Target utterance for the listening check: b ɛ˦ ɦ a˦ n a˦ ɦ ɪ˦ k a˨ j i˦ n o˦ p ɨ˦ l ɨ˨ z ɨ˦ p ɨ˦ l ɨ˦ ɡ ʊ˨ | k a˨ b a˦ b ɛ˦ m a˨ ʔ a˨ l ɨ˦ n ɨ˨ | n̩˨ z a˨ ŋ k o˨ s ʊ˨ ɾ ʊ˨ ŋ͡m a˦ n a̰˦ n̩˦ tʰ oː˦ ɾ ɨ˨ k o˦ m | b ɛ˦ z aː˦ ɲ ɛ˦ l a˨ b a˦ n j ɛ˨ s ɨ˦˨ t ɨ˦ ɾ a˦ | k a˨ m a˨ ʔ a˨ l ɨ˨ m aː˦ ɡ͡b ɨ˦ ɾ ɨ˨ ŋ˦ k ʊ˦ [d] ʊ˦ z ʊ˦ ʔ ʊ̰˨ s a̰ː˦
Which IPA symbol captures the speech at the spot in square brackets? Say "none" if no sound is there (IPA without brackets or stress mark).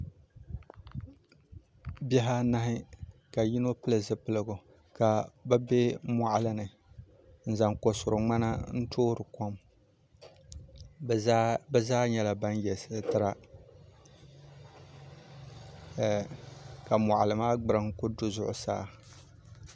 d